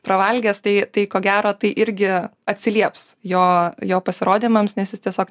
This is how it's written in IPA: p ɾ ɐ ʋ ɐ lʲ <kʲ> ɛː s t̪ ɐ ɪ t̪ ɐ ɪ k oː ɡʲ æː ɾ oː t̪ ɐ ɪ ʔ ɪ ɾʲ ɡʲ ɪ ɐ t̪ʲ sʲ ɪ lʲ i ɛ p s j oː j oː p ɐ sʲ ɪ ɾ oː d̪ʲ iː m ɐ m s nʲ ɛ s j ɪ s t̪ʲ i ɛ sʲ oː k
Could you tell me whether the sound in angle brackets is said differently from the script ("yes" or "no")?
yes